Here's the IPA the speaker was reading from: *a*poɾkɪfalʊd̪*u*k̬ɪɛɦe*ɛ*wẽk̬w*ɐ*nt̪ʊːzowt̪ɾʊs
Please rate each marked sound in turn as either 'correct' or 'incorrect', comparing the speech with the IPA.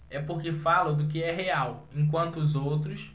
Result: incorrect, incorrect, incorrect, incorrect

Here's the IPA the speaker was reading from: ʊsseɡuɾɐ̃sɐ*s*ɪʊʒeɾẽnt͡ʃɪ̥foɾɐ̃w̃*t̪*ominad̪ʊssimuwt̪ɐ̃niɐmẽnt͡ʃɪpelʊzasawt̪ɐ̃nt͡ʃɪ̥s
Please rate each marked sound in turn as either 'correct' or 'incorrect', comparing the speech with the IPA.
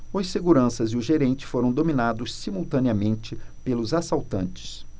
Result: incorrect, incorrect

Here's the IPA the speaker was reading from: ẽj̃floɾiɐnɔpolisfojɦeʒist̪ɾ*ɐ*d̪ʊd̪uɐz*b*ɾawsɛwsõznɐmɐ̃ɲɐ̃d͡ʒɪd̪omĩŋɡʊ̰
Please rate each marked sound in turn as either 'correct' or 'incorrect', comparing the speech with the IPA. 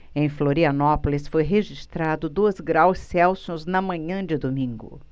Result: incorrect, incorrect

